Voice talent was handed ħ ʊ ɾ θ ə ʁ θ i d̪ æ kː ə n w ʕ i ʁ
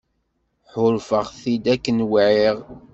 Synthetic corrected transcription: ħ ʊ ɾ f ə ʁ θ i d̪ æ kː ə n w ʕ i ʁ